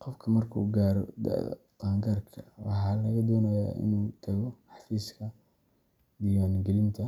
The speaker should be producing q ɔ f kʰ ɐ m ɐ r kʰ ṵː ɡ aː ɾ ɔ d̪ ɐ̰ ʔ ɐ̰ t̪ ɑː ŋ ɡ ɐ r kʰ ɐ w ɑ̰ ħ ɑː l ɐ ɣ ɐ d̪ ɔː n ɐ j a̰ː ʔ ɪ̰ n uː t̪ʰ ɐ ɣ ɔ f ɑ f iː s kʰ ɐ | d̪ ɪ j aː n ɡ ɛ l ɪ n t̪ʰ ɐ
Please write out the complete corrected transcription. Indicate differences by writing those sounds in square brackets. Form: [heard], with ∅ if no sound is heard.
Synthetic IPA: q ɔ f kʰ ɐ m ɐ r kʰ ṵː ɡ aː ɾ ɔ d̪ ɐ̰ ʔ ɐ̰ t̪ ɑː ŋ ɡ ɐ r kʰ ɐ w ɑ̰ ħ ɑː l ɐ ɣ ɐ d̪ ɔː n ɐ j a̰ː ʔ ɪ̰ n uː t̪ʰ ɐ ɣ ɔ [ħ] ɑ f iː s kʰ ɐ | d̪ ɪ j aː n ɡ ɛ l ɪ n t̪ʰ ɐ